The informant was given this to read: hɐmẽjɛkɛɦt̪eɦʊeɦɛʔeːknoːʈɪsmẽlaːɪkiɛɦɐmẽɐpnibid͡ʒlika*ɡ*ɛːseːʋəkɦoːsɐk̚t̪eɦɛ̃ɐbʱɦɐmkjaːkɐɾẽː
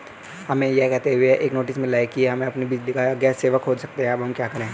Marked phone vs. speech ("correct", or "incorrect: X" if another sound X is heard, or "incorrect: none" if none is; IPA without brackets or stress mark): correct